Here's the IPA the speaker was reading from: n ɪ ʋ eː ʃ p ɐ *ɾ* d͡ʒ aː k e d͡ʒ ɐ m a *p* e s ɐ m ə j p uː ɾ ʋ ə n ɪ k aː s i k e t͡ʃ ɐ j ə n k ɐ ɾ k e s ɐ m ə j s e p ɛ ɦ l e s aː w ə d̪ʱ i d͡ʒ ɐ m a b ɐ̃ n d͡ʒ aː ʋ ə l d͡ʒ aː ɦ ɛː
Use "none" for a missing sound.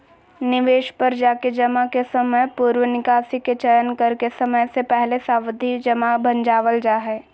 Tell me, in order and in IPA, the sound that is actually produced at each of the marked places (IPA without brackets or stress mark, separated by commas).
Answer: ɾ, k